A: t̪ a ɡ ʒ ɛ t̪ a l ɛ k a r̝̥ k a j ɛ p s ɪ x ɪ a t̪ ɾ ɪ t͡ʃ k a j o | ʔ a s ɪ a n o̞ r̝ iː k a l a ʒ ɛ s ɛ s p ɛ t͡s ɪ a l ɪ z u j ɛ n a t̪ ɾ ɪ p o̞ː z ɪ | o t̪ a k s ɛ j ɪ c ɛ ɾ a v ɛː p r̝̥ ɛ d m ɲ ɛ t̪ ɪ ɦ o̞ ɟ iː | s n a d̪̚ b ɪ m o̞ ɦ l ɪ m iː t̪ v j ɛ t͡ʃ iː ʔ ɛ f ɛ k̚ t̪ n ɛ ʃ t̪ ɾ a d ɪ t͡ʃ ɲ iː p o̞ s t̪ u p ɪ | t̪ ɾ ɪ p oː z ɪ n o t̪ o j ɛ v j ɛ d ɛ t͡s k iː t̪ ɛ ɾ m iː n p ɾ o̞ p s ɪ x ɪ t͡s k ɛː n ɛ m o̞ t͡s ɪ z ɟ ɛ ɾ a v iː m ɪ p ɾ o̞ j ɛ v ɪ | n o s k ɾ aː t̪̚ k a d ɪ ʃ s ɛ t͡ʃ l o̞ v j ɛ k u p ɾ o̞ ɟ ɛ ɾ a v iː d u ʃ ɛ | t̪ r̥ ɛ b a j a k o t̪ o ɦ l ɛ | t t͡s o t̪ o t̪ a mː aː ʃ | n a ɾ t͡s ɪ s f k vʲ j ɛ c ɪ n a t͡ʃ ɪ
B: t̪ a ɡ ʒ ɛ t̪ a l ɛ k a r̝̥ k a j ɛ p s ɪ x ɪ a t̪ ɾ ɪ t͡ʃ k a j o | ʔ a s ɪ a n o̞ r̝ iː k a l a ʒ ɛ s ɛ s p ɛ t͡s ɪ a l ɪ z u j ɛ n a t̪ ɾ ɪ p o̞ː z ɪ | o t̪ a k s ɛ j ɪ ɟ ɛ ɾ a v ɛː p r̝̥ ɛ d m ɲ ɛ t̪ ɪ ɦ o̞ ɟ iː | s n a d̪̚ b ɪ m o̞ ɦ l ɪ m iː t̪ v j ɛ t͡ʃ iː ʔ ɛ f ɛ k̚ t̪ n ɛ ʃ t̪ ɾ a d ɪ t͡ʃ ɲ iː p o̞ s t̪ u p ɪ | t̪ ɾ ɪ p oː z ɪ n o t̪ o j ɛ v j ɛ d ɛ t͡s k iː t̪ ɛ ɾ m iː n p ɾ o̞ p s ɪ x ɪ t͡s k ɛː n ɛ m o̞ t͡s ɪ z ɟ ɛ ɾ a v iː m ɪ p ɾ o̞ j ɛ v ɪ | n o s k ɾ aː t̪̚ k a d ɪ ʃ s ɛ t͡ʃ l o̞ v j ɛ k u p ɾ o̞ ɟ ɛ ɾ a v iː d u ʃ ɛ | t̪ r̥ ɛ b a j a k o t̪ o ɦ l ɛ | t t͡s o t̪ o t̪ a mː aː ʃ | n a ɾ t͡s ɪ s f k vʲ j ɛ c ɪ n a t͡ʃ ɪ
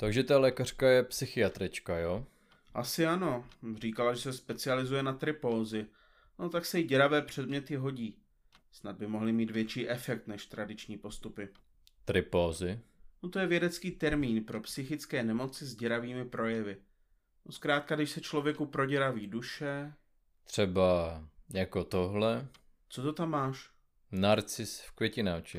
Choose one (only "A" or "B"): B